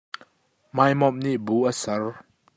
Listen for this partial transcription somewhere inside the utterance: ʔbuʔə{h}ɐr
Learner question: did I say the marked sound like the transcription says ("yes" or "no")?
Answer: no